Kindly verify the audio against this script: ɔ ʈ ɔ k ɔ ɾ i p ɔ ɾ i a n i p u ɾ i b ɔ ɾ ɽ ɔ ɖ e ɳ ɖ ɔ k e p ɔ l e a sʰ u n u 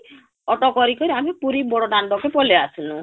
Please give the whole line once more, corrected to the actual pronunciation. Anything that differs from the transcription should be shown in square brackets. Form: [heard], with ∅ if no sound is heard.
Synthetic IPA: ɔ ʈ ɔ k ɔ ɾ i [k] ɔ ɾ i a [m] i p u ɾ i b ɔ [∅] ɽ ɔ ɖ [a] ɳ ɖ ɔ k e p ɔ l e a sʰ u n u